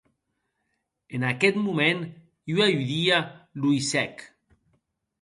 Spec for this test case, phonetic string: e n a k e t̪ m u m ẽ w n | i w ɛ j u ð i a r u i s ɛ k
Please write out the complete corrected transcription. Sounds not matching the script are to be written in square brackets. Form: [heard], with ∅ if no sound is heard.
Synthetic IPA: e n a k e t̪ m u m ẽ [∅] n | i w [a] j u ð i a [l] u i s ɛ k